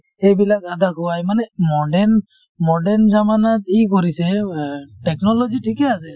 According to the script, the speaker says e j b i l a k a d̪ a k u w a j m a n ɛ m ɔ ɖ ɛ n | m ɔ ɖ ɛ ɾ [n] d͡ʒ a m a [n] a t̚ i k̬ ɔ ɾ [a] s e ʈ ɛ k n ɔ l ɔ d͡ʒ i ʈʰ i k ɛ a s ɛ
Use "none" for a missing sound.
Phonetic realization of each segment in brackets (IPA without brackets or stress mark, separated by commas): n, n, i